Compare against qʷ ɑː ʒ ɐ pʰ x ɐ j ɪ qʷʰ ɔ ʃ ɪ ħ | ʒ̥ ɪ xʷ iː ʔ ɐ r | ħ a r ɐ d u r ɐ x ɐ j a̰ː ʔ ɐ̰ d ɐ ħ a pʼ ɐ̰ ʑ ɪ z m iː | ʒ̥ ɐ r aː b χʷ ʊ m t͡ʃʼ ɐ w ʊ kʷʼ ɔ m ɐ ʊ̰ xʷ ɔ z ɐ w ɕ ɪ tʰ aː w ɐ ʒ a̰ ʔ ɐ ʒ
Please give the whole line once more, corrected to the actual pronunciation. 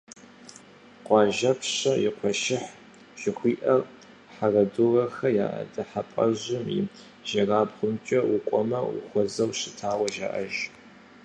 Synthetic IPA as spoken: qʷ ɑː ʒ ɐ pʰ ɕ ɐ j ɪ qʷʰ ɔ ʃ ɪ ħ | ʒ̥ ɪ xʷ iː ʔ ɐ r | ħ a r ɐ d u r ɐ x ɐ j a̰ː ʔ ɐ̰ d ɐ ħ a pʼ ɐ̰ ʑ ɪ m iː | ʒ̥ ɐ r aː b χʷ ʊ m t͡ʃʼ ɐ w ʊ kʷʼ ɔ m ɐ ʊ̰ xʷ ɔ z ɐ w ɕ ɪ tʰ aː w ɐ ʒ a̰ ʔ ɐ ʒ

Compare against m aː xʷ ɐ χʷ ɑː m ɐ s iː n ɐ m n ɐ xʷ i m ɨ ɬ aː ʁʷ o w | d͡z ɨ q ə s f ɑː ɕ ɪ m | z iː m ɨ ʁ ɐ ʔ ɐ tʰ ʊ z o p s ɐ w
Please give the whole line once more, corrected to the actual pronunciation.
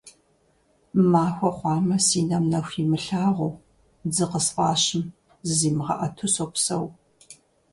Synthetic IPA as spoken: m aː xʷ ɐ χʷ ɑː m ɐ s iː n ɐ m n ɐ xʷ i m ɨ ɬ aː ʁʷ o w | d͡z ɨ q ə s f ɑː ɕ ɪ m | z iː m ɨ ʁ ɐ ʔ ɐ tʰ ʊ s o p s ɐ w

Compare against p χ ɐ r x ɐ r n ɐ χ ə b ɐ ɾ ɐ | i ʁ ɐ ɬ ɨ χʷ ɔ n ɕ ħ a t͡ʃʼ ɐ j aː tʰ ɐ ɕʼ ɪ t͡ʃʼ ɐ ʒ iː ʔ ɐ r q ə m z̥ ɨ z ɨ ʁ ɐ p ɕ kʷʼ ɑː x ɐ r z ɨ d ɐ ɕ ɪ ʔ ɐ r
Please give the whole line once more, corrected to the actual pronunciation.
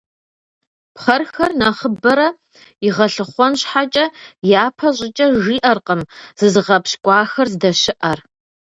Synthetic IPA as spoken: p χ ɐ r x ɐ r n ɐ χ ə b ɐ ɾ ɐ | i ʁ ɐ ɬ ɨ χʷ ɔ n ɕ ħ a t͡ʃʼ ɐ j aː pʰ ɐ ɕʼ ɪ t͡ʃʼ ɐ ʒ iː ʔ ɐ r q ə m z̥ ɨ z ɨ ʁ ɐ p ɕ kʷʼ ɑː x ɐ r z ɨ d ɐ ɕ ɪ ʔ ɐ r

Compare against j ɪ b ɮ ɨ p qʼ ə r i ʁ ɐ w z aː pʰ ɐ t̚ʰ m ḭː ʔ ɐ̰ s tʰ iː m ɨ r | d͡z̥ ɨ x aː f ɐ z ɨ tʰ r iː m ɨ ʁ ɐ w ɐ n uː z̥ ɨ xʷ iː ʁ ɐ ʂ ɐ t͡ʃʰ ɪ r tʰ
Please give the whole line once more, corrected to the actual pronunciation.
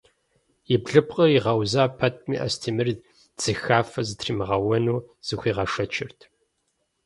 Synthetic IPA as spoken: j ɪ b ɮ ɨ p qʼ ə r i ʁ ɐ w z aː pʰ ɐ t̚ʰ m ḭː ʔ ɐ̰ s tʰ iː m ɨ r | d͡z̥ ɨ x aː f ɐ z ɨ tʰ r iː m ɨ ʁ ɐ w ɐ n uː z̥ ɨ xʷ iː ʁ ɐ ʂ ɐ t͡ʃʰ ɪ r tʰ

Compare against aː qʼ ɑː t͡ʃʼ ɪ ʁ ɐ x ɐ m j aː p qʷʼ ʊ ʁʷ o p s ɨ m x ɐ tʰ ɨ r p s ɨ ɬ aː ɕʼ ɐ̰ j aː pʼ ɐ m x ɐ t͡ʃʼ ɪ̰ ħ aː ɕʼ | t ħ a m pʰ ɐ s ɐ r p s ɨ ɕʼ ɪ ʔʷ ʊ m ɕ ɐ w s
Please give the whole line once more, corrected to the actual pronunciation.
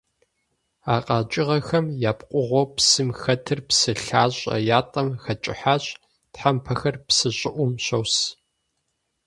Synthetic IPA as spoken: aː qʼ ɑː t͡ʃʼ ɪ ʁ ɐ x ɐ m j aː p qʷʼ ʊ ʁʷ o p s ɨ m x ɐ tʰ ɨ r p s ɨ ɬ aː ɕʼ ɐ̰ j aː tʼ ɐ m x ɐ t͡ʃʼ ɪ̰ ħ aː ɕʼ | t ħ a m pʰ ɐ x ɐ r p s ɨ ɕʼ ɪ ʔʷ ʊ m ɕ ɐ w s

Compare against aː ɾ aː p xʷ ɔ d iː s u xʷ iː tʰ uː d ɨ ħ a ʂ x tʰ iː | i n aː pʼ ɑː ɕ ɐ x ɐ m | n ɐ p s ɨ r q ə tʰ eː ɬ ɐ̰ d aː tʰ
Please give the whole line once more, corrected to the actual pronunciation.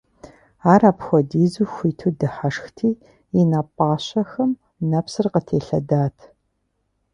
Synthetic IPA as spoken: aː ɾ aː p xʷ ɔ d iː z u xʷ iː tʰ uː d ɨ ħ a ʂ x tʰ iː | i n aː pʼ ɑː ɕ ɐ x ɐ m | n ɐ p s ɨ r q ə tʰ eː ɬ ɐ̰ d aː tʰ

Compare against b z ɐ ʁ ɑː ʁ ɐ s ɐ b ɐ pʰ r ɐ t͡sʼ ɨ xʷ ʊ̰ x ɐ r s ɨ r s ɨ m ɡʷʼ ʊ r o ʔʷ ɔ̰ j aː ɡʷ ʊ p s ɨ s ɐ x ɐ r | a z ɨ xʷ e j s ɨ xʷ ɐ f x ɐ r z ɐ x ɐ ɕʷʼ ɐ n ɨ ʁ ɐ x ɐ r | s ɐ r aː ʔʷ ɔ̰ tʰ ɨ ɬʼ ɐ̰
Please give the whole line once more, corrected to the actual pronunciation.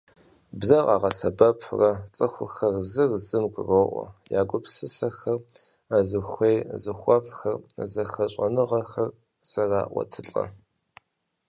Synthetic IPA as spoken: b z ɐ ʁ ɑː ʁ ɐ s ɐ b ɐ pʰ r ɐ t͡sʼ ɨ xʷ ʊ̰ x ɐ r z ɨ r z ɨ m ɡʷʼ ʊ r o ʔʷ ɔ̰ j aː ɡʷ ʊ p s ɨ s ɐ x ɐ r | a z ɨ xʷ e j z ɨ xʷ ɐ f x ɐ r z ɐ x ɐ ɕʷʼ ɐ n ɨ ʁ ɐ x ɐ r | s ɐ r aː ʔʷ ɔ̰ tʰ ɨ ɬʼ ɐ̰

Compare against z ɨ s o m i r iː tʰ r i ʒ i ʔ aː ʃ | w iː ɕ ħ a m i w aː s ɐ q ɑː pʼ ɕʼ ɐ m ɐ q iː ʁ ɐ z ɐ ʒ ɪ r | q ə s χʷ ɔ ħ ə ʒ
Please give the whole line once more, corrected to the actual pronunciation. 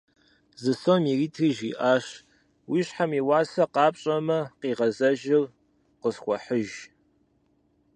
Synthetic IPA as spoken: z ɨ s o m i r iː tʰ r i ʒ i ʔ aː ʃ | w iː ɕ ħ a m i w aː s ɐ q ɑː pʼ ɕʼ ɐ m ɐ q iː ʁ ɐ z ɐ ʒ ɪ r | q ə s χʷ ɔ ħ ə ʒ

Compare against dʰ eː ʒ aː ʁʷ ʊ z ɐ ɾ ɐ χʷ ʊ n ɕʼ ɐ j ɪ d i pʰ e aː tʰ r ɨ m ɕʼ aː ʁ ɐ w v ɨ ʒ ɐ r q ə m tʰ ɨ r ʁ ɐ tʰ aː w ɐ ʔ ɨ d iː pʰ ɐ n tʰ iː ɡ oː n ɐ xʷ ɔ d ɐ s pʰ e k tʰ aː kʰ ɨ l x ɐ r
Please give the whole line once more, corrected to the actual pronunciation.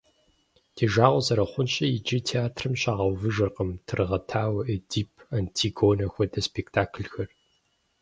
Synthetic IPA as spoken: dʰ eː ʒ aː ʁʷ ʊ z ɐ ɾ ɐ χʷ ʊ n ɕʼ ɐ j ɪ d͡ʒ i tʰ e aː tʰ r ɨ m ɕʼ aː ʁ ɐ w v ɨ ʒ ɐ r q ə m tʰ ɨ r ʁ ɐ tʰ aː w ɐ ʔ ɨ d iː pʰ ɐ n tʰ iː ɡ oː n ɐ xʷ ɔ d ɐ s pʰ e k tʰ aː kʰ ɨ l x ɐ r

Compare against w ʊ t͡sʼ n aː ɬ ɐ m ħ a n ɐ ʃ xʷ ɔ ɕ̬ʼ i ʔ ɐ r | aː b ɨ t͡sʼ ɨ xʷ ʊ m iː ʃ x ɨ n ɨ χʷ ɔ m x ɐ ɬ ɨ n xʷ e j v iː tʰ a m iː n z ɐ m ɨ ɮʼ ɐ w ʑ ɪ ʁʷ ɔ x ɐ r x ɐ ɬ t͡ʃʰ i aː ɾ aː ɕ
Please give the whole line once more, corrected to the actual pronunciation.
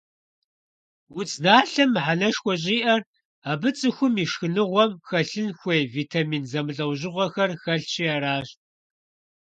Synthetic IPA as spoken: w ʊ t͡sʼ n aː ɬ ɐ m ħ a n ɐ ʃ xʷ ɔ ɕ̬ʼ iː ʔ ɐ r | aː b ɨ t͡sʼ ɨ xʷ ʊ m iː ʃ x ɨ n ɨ ʁʷ ɔ m x ɐ ɬ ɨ n xʷ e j v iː tʰ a m iː n z ɐ m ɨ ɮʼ ɐ w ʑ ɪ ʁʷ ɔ x ɐ r x ɐ ɬ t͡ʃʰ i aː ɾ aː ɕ

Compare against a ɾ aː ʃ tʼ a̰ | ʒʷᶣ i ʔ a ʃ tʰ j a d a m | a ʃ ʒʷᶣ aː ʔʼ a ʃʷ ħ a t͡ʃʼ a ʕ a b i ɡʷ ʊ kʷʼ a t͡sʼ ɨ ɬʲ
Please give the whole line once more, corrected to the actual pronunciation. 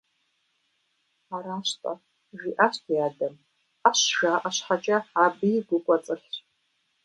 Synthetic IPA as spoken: a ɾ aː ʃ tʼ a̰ | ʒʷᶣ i ʔ a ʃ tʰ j a d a m | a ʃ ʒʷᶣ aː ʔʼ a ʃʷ ħ a t͡ʃʼ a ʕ a b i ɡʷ ʊ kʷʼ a t͡sʼ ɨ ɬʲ

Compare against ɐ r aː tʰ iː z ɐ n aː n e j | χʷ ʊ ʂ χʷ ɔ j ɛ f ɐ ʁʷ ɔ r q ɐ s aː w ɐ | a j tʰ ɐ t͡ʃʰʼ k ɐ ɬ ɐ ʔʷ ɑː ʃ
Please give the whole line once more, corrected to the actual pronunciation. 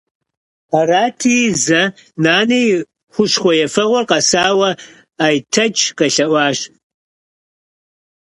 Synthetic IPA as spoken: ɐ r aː tʰ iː z ɐ n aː n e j | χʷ ʊ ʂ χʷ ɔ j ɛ f ɐ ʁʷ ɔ r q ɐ s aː w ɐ | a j tʰ ɐ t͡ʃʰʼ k ɐ ɬ ɐ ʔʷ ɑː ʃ

